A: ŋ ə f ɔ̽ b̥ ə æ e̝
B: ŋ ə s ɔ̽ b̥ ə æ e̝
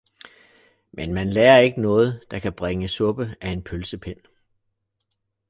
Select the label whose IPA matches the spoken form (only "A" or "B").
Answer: B